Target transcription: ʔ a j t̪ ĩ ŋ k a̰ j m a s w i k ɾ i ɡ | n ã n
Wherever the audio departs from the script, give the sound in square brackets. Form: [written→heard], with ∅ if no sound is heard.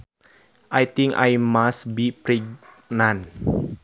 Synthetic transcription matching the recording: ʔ a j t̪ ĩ ŋ k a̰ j m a s [w→b] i [k→p] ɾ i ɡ | n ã n